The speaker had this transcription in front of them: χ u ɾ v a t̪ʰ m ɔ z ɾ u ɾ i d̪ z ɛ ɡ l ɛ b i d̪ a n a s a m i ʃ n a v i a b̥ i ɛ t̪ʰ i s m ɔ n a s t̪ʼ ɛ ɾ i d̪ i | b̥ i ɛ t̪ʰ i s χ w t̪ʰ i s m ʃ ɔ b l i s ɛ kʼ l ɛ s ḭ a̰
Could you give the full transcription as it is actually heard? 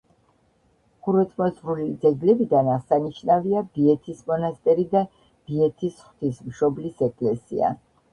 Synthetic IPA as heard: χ u ɾ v ɛ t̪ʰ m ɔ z ɾ u l i d̪ z ɛ ɡ l ɛ b i d̪ a n a s a n i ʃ n a v i a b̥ i ɛ t̪ʰ i s m ɔ n a s t̪ʼ ɛ ɾ i d̪ a | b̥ i ɛ t̪ʰ i s χ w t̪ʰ i s m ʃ ɔ b l i s ɛ kʼ l ɛ s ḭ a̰